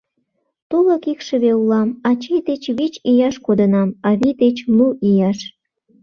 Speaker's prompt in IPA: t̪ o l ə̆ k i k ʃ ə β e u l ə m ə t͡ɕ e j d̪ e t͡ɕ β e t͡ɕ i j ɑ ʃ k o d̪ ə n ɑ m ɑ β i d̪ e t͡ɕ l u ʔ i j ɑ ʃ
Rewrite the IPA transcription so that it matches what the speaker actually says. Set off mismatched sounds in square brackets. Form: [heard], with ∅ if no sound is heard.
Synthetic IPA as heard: t̪ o l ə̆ k i k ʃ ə β e u l [ɑ] m [ɑ] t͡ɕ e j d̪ e t͡ɕ β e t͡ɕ i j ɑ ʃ k o d̪ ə n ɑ m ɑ β i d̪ e t͡ɕ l u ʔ i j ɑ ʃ